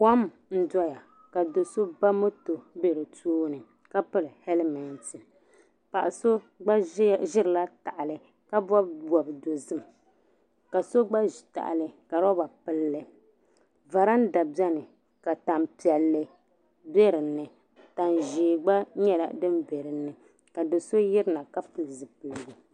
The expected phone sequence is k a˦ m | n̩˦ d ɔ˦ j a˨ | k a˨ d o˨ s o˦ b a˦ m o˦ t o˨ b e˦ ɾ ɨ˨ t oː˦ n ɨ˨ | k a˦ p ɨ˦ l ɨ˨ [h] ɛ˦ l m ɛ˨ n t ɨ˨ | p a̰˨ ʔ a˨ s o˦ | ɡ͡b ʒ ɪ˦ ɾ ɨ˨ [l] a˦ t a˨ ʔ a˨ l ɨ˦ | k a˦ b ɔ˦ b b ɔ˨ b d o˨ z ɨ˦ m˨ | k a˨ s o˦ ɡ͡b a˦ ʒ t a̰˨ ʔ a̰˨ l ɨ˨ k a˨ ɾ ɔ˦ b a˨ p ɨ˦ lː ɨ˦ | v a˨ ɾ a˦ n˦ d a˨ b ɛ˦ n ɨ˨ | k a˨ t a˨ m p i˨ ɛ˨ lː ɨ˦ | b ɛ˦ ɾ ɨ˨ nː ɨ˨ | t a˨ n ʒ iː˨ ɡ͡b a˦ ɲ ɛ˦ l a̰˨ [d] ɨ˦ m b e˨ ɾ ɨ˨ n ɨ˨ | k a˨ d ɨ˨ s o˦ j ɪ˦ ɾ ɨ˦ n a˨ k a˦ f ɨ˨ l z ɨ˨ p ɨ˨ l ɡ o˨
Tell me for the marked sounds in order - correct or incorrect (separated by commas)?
correct, correct, correct